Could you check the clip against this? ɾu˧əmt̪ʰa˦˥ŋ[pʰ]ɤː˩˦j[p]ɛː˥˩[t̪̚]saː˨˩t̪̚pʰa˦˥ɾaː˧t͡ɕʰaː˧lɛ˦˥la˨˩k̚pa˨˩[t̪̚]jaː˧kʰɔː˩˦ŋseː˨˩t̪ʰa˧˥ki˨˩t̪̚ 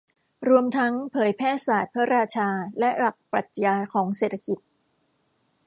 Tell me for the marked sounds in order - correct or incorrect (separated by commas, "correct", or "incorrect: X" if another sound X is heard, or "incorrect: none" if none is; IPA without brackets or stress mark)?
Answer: correct, incorrect: pʰ, incorrect: none, correct